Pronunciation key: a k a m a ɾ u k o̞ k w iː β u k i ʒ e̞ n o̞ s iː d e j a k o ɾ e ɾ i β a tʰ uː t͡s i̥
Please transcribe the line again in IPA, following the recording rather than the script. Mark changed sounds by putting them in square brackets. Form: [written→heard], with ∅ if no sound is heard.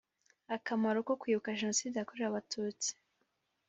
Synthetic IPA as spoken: a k a m a ɾ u k o̞ k w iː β u k [i→a] ʒ e̞ n o̞ s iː d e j a k o ɾ e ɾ [i→a] β a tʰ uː t͡s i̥